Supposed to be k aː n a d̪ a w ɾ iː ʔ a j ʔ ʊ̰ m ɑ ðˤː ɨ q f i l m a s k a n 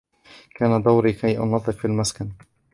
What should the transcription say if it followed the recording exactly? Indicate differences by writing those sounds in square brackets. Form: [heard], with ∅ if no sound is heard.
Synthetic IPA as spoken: k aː n a d̪ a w ɾ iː [k] a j ʔ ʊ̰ [n] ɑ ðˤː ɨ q f i l m a s k a n